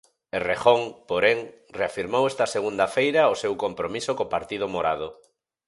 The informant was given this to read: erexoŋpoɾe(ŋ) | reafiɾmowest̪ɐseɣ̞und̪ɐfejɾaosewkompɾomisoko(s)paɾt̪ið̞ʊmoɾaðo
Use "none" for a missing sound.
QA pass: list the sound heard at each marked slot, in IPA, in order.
ŋ, none

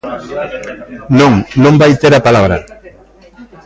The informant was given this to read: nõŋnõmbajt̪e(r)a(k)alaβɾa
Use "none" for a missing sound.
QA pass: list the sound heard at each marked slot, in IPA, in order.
ɾ, p

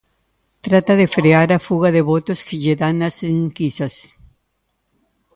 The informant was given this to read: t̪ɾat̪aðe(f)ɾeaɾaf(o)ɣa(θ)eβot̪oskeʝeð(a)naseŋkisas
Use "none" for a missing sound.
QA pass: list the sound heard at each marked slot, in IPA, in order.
f, u, ð, a

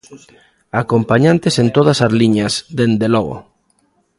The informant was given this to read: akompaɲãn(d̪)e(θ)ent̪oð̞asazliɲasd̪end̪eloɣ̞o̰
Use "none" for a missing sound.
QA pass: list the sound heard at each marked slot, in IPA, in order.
t̪, s

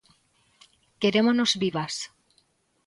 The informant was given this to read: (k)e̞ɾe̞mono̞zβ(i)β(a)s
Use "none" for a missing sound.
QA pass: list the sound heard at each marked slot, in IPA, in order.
k, i, a

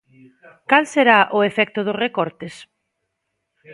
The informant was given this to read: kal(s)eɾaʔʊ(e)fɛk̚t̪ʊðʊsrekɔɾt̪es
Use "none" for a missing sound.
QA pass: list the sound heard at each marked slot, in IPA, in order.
s, e

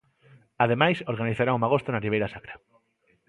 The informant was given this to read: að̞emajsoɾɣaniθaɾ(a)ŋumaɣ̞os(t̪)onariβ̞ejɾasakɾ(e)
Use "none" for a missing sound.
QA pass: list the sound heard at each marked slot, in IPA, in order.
a, t̪, a

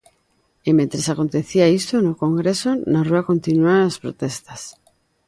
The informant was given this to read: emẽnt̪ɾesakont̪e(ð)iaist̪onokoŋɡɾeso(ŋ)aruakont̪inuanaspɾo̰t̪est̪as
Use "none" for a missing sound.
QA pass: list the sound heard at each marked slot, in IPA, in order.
θ, n

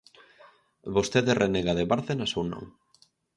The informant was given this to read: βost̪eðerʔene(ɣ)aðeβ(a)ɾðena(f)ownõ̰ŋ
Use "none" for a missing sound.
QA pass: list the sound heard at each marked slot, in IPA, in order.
ɣ, a, s

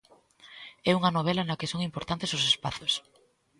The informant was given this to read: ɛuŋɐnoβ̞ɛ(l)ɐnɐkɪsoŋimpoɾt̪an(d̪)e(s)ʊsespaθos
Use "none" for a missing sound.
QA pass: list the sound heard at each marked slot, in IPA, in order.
l, t̪, s

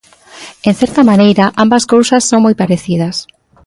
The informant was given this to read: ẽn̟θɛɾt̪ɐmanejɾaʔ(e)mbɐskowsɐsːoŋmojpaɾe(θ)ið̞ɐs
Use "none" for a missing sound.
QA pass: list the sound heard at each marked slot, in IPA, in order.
a, θ

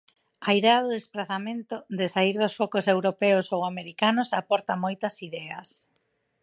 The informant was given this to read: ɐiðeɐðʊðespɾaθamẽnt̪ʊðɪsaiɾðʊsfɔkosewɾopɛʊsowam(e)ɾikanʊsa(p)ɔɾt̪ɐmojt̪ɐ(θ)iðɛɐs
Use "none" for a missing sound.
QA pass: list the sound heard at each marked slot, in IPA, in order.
e, p, s

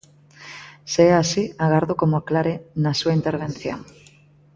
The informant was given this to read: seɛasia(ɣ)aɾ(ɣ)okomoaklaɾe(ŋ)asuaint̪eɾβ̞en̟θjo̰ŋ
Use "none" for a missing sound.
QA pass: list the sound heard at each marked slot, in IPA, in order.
ɣ, ð, n

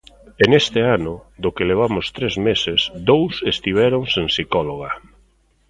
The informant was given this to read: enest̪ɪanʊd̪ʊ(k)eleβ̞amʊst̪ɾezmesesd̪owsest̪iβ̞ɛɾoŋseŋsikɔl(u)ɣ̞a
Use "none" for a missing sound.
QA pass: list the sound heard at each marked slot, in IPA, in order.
k, o

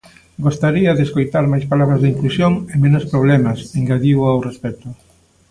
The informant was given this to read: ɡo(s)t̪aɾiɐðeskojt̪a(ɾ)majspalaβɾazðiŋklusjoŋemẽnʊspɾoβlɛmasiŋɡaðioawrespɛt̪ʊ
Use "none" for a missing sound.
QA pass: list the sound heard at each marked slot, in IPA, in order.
s, ɾ

